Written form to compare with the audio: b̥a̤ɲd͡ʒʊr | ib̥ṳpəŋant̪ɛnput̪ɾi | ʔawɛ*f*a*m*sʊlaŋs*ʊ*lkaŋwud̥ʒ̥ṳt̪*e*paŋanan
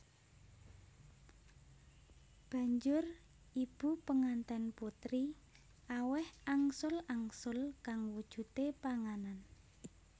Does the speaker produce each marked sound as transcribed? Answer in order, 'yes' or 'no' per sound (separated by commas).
no, no, yes, yes